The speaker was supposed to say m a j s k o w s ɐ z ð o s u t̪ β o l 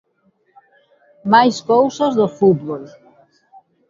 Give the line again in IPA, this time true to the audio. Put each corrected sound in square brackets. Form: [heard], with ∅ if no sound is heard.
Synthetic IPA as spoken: m a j s k o w s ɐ z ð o [f] u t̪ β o l